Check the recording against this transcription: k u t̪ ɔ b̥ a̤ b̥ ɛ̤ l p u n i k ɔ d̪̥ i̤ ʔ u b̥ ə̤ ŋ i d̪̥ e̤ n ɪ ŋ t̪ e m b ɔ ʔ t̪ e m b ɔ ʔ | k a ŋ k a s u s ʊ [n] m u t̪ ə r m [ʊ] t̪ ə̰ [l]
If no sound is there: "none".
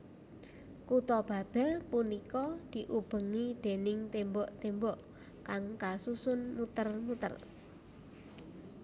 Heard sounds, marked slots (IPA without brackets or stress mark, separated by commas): n, u, r